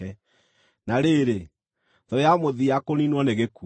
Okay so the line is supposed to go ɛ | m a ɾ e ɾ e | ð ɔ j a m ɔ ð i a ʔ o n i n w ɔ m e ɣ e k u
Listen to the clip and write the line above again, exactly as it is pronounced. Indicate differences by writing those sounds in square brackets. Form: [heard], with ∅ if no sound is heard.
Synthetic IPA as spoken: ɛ | [n] a ɾ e ɾ e | ð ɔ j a m [o] ð i a [k] o n i n w ɔ [n] e ɣ e k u